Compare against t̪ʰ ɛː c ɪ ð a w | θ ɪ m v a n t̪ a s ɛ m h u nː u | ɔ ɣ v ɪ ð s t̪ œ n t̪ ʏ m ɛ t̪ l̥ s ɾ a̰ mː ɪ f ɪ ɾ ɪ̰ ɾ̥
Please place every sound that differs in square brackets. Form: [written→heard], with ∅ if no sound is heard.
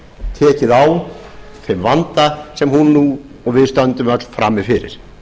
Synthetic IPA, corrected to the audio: t̪ʰ ɛː c ɪ ð a w | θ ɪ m v a n t̪ a s ɛ m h u nː u | ɔ ɣ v ɪ ð s t̪ œ n t̪ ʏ m [ɛ→œ] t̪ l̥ [s→f] ɾ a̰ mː ɪ f ɪ ɾ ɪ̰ ɾ̥